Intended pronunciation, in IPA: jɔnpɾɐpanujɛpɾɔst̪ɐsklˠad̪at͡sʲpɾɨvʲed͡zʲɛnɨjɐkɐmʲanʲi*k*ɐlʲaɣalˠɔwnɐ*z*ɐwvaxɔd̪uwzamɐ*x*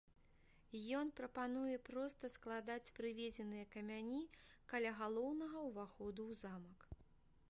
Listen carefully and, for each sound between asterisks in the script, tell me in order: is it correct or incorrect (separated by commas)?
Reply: correct, incorrect, incorrect